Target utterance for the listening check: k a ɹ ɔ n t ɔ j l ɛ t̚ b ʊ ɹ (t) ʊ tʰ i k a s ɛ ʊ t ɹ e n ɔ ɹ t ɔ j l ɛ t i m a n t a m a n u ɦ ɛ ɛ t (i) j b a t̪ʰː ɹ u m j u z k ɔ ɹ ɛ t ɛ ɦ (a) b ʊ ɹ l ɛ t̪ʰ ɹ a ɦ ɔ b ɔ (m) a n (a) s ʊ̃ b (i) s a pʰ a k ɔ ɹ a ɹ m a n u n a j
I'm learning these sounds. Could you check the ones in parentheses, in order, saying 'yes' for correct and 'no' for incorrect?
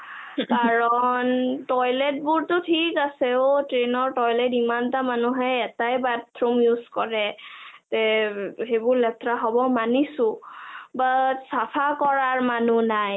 yes, no, no, yes, no, no

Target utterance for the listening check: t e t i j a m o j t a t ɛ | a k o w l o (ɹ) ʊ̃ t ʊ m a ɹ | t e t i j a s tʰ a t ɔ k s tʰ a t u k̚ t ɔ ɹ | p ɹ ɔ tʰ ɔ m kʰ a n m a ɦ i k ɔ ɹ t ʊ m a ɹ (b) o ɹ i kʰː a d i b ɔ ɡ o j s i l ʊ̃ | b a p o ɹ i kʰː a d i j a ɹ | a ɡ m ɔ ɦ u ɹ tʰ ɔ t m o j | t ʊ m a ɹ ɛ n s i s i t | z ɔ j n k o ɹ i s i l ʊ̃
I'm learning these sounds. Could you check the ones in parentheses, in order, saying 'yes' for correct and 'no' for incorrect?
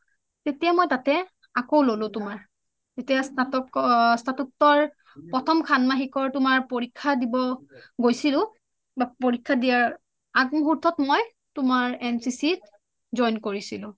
no, no

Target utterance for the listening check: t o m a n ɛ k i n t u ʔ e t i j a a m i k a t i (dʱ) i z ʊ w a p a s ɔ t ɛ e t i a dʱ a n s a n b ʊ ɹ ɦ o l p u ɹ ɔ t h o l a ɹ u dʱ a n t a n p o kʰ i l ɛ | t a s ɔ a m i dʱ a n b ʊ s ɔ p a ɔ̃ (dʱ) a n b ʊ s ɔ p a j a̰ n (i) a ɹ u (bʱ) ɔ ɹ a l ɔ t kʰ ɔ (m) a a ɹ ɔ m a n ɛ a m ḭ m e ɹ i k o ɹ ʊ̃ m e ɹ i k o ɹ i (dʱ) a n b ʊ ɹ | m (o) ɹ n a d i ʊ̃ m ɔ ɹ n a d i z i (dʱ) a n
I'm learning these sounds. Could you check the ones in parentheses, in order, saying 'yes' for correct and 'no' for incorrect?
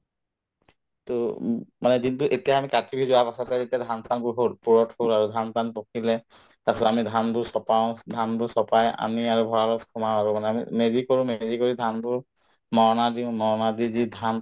no, yes, yes, yes, yes, yes, no, yes

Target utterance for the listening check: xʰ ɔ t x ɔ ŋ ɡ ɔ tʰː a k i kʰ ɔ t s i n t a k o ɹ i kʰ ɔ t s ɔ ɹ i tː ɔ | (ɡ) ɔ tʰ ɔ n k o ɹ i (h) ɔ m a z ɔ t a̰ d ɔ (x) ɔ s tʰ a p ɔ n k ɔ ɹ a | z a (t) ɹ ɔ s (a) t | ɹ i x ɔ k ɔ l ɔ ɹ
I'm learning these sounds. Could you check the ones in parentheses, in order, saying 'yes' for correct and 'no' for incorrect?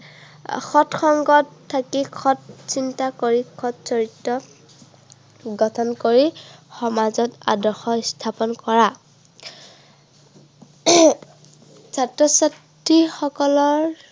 yes, no, yes, yes, yes

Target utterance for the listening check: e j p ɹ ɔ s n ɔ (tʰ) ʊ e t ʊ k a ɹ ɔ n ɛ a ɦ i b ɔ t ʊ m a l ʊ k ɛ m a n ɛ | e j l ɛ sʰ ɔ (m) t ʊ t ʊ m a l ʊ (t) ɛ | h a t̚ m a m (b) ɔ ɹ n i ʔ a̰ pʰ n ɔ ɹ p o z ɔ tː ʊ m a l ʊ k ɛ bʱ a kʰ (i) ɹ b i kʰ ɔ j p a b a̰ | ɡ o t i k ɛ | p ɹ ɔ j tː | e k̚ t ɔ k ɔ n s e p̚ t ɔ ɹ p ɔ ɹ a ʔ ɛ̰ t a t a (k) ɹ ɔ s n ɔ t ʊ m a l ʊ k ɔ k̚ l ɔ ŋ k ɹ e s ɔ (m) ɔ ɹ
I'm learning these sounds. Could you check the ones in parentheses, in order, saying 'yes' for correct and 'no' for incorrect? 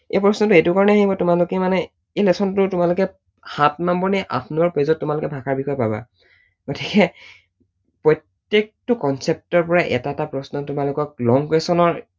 no, no, no, yes, no, no, no

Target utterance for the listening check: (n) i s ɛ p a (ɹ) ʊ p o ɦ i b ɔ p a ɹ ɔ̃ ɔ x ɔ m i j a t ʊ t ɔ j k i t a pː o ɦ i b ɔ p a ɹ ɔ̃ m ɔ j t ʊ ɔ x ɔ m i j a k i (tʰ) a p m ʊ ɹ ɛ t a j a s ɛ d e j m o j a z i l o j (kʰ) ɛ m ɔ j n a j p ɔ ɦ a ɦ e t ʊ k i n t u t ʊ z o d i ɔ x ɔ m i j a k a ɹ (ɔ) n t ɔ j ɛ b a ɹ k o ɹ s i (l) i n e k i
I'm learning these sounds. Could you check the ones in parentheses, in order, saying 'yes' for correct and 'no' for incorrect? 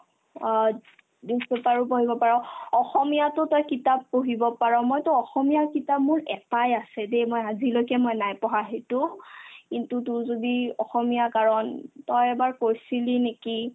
no, yes, no, no, yes, yes

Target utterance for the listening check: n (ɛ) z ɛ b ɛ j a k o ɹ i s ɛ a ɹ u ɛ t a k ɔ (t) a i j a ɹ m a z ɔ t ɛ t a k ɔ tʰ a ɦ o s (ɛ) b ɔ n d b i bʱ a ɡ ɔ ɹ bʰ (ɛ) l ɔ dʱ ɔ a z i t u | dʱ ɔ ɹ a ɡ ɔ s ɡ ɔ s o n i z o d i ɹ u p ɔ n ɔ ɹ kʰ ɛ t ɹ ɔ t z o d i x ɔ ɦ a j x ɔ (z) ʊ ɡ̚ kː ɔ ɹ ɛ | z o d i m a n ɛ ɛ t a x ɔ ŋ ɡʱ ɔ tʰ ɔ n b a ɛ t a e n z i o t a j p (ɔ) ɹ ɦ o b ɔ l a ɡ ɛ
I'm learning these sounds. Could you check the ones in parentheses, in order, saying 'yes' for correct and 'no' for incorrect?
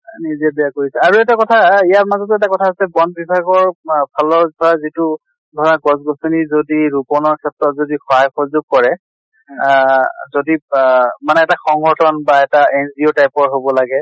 no, no, yes, no, yes, yes

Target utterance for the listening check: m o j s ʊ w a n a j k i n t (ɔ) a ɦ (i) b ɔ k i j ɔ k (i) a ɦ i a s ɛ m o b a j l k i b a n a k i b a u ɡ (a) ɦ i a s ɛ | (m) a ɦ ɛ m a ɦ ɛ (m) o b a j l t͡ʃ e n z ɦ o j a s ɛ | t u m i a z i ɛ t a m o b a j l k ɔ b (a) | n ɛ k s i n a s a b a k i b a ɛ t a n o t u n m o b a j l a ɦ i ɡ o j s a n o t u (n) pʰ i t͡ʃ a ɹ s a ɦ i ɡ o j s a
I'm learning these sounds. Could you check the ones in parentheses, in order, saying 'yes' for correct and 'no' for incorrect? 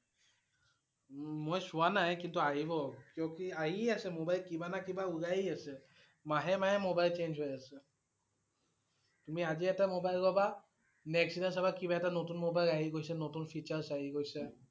no, yes, yes, yes, yes, yes, yes, yes

